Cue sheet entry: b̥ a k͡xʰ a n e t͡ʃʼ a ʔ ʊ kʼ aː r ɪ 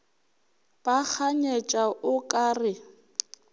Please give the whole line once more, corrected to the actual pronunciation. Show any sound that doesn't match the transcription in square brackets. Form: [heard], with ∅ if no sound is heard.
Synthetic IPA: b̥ a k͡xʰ a [ɲ] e t͡ʃʼ a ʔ ʊ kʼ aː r ɪ

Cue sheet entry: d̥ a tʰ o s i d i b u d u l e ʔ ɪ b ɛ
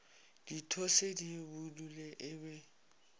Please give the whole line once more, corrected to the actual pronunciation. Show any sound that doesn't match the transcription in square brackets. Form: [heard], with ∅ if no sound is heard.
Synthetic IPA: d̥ [i] tʰ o s [e] d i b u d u l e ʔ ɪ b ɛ

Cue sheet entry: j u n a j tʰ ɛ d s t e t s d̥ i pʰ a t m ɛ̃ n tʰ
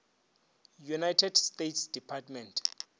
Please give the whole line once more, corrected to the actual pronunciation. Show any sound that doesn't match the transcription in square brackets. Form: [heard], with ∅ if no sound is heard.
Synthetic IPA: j u n a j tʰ ɛ d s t e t s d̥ i pʰ a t m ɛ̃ n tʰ

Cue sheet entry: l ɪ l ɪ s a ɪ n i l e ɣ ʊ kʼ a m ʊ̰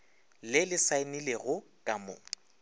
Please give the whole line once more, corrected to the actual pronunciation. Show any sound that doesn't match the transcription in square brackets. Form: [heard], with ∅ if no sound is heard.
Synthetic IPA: l ɪ l ɪ s a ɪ n i l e ɣ ʊ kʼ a m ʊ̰

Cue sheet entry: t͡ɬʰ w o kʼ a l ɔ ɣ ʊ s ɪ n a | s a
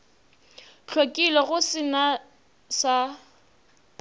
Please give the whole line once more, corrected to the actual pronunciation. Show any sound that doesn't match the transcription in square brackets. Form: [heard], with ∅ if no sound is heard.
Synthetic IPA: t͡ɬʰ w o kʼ [i] l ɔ ɣ ʊ s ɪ n a | s a

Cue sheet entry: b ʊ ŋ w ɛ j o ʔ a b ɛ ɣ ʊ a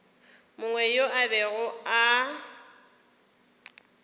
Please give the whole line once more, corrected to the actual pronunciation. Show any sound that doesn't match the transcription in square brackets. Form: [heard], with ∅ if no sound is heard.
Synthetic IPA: [m] ʊ ŋ w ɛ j o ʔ a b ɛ ɣ ʊ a

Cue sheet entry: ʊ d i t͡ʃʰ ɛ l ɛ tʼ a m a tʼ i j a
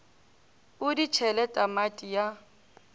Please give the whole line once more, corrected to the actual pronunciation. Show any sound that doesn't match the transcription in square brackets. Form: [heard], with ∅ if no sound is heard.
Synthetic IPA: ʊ d i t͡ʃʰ ɛ l ɛ tʼ a m a tʼ i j a

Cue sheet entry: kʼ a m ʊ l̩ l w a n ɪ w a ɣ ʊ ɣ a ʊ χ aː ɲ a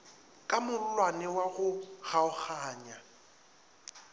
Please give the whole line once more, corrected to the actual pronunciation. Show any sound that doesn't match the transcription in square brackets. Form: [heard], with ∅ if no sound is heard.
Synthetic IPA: kʼ a m ʊ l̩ l w a n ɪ w a ɣ ʊ ɣ a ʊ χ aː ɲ a

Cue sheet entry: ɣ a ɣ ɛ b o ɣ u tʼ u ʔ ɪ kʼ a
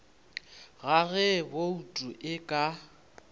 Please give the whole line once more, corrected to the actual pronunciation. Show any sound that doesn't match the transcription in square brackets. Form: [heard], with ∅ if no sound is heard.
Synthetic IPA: ɣ a ɣ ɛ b o [∅] u tʼ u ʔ ɪ kʼ a

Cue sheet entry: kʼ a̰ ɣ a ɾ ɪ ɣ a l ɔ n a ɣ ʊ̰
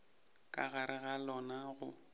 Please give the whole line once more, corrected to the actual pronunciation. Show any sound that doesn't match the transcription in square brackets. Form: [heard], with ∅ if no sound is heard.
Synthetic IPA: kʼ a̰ ɣ a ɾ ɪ ɣ a l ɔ n a ɣ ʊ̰

